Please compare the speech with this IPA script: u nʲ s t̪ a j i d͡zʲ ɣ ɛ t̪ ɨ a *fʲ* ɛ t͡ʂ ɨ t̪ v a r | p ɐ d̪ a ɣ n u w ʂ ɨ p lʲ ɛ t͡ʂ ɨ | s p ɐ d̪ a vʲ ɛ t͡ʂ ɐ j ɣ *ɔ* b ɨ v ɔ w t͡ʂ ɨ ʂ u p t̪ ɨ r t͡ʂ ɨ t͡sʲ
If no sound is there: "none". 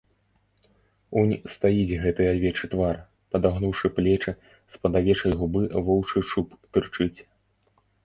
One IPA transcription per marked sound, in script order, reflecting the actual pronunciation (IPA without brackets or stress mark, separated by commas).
vʲ, u